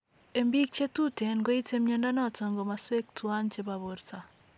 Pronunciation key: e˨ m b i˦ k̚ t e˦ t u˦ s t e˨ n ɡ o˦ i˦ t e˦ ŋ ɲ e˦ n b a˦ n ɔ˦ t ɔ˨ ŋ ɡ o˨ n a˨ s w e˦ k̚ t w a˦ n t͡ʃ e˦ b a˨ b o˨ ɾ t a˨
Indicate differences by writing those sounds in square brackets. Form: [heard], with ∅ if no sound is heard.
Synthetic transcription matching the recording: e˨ m b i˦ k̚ [t͡ʃ] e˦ t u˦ [∅] t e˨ n ɡ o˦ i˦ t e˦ [m] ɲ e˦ n [d] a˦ n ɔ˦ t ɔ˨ ŋ ɡ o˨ [m] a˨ s w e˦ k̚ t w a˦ n t͡ʃ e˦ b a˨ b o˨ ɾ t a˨

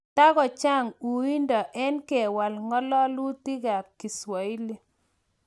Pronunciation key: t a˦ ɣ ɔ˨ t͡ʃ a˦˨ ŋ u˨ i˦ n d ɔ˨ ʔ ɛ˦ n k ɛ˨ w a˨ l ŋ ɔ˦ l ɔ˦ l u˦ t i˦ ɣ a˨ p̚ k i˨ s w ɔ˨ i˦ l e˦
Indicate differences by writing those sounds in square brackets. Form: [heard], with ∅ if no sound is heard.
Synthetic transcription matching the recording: t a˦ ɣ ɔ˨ t͡ʃ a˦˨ ŋ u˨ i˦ n d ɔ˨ ʔ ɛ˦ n k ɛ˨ w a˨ l ŋ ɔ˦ l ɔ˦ l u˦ t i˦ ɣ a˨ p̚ k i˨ s w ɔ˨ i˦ l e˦

